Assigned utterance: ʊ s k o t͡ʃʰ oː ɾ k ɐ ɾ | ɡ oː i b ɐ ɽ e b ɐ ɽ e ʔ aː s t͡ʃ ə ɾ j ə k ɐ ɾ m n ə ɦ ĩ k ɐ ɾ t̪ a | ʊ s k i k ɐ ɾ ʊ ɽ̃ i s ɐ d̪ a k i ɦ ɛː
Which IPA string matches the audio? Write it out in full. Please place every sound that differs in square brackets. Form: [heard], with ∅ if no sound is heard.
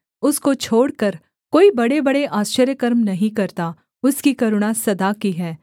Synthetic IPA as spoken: ʊ s k o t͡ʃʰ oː [ɽ] k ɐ ɾ | [k] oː i b ɐ ɽ e b ɐ ɽ e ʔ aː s t͡ʃ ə ɾ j ə k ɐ ɾ m n [ɐ] ɦ ĩ k ɐ ɾ t̪ a | ʊ s k i k ɐ ɾ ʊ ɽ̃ [a] s ɐ d̪ a k i ɦ ɛː